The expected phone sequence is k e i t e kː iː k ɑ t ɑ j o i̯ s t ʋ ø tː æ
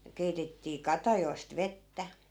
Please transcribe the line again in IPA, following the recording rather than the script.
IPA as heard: k e i t e tː iː k ɑ t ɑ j o i̯ s t ʋ e tː æ

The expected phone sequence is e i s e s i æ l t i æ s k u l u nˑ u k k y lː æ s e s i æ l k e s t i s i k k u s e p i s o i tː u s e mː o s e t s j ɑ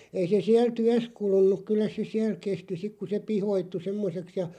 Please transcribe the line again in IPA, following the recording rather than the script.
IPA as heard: e i s e s i æ l t y æ s k u l u nˑ u k k y lː æ s e s i æ l k e s t i s i k k u s e p i h o i tː u s e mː o s e k s j ɑ

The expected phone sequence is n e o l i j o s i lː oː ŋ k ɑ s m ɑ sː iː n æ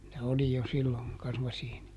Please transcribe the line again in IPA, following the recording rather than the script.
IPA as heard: n e o l i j o s i lː o ŋ k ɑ s m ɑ s iː n i

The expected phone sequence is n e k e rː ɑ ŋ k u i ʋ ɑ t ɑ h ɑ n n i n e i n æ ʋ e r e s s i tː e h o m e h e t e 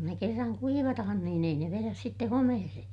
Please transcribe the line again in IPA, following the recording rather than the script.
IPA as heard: n e k e rː ɑ ŋ k u i ʋ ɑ t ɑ h ɑ n n iː n e i n e ʋ e r æ s s i tː e h o m e h e s e

